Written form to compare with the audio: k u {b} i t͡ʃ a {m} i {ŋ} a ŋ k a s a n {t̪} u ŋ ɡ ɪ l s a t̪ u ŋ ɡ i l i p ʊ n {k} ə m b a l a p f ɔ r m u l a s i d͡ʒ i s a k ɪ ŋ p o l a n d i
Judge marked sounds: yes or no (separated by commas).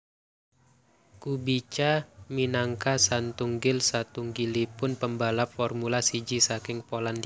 yes, yes, no, yes, no